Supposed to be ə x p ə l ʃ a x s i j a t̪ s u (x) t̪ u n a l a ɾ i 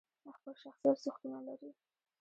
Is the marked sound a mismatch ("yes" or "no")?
no